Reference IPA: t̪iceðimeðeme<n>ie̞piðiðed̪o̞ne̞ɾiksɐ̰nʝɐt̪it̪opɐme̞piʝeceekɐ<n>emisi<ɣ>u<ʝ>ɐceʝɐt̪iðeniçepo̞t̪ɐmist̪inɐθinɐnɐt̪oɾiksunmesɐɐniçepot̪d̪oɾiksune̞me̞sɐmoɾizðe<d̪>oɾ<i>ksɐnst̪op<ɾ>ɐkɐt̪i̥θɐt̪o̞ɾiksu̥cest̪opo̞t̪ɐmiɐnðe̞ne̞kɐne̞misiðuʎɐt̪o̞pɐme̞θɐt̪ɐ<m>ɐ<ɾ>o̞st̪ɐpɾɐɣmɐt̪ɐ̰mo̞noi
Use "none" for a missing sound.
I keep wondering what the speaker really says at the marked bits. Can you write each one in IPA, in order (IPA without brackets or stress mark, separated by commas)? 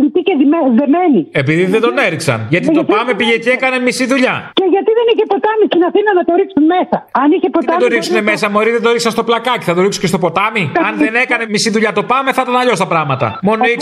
n, n, ð, ʎ, d̪, i, l, n, ʎ